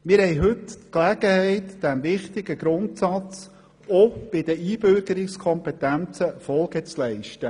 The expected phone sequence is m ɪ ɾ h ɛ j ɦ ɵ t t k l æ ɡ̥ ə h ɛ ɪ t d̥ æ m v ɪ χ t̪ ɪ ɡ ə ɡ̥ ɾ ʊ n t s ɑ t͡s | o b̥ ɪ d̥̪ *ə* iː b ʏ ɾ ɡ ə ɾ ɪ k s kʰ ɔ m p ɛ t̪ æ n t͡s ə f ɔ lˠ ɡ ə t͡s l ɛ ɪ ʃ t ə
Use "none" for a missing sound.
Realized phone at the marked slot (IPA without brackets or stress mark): ə